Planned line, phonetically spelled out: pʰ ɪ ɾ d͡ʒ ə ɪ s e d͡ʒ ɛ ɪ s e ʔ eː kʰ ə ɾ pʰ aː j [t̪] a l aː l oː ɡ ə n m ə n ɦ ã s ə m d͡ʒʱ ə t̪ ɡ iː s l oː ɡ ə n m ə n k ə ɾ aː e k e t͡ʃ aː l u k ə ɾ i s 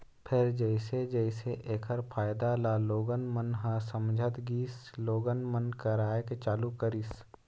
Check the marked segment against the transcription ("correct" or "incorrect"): incorrect